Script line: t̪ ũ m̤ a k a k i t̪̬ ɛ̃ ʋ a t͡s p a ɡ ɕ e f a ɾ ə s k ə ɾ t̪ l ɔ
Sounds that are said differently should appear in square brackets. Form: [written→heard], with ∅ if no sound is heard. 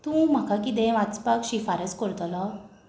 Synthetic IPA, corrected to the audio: t̪ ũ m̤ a k a k i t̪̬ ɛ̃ ʋ a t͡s p a [ɡ→k] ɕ [e→i] f a ɾ ə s k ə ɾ t̪ l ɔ